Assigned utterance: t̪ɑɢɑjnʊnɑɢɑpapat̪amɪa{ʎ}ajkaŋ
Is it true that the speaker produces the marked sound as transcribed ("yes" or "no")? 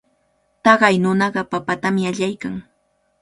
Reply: yes